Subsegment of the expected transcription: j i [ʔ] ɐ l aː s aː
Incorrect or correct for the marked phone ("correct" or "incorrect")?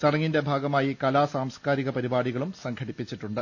incorrect